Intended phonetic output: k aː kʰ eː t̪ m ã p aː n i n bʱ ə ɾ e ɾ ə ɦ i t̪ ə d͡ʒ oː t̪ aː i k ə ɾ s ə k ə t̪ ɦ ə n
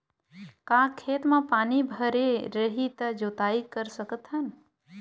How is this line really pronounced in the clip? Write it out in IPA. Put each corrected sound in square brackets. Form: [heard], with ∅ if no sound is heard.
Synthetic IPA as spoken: k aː kʰ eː t̪ m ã p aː n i [∅] bʱ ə ɾ e ɾ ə ɦ i t̪ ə d͡ʒ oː t̪ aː i k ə ɾ s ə k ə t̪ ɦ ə n